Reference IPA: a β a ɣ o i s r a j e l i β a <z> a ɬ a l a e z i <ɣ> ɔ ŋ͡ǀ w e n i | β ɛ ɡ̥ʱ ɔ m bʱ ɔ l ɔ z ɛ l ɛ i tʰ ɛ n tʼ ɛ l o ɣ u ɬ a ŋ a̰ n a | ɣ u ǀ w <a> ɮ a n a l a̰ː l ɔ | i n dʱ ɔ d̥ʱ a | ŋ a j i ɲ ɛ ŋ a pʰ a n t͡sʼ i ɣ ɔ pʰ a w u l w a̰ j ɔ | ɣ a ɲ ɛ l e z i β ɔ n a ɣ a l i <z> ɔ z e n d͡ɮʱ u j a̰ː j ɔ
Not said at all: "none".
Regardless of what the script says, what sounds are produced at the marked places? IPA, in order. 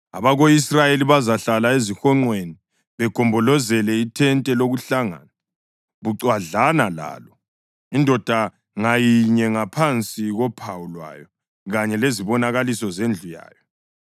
z, x, a, s

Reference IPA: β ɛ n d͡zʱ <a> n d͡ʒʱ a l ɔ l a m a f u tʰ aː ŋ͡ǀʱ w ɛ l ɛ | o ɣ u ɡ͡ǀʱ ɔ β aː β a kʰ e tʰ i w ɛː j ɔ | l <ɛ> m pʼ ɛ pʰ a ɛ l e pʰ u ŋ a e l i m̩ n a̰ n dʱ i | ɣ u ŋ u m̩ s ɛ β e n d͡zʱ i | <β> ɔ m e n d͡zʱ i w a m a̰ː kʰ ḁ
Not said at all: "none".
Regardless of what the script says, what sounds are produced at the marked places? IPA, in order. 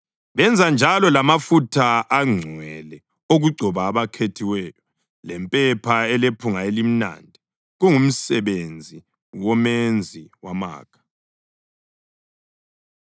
a, ɛ, w

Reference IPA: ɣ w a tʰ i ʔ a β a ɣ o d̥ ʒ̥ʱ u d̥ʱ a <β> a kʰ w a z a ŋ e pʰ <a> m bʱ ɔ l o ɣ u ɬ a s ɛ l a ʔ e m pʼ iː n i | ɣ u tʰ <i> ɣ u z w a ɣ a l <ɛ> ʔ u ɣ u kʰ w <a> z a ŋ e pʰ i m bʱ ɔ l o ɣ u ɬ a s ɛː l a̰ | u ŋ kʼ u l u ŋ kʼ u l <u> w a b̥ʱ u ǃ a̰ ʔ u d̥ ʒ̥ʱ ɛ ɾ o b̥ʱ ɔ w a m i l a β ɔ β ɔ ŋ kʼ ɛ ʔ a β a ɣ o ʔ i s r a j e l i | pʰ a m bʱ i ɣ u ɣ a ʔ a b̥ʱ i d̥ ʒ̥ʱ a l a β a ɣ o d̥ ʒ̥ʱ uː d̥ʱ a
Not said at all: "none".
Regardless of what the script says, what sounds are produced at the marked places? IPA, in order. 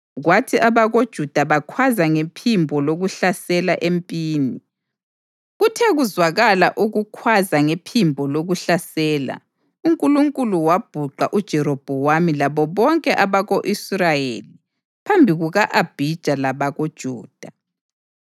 β, i, ɛ, a, a, u

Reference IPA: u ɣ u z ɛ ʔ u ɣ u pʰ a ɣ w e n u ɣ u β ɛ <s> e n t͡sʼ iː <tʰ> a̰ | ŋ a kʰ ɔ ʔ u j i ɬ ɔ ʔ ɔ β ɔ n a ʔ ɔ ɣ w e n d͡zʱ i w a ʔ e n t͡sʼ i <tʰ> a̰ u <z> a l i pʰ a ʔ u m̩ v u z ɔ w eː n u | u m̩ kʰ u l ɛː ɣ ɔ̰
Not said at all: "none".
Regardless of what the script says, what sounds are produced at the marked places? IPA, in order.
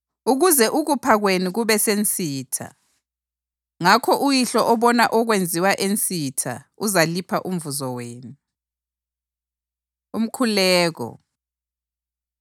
s, tʰ, tʰ, z

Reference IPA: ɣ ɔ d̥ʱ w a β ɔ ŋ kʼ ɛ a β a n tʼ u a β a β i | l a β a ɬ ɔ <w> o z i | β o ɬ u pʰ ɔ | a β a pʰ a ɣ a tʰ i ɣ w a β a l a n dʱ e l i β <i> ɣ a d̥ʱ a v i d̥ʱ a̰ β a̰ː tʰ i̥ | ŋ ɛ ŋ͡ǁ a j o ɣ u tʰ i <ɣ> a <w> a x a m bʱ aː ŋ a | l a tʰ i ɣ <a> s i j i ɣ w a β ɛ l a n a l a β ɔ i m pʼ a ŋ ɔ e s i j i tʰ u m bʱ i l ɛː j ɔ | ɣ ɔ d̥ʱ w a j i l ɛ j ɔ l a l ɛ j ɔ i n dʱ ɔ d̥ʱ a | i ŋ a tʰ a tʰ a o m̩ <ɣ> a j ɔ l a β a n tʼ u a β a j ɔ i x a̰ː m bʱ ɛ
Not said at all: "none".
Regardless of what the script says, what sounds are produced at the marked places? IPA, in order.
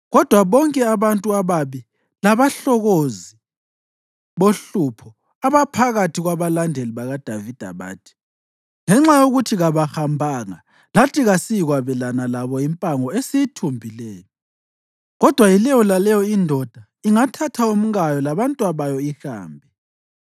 ɣ, a, ɣ, β, a, ɣ

